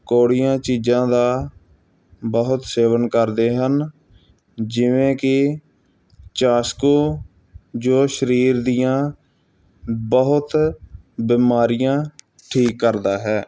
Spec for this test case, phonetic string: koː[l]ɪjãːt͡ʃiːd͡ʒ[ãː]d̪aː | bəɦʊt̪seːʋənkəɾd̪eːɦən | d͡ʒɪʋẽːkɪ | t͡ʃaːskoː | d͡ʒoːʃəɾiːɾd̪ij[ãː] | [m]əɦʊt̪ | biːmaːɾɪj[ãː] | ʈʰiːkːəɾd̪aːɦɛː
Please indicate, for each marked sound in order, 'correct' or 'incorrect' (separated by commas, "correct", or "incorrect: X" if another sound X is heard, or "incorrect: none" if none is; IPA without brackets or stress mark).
incorrect: ɽ, correct, correct, incorrect: b, correct